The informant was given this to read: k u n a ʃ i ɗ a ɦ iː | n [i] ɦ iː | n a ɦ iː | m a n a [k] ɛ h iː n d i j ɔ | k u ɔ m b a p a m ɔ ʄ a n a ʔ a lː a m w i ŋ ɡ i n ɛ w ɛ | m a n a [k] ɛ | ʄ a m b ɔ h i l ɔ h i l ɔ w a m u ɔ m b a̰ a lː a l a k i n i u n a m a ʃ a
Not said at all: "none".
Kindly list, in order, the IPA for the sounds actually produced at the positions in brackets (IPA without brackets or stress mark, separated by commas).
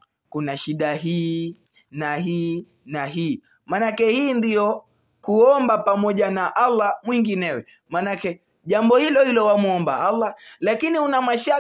a, k, k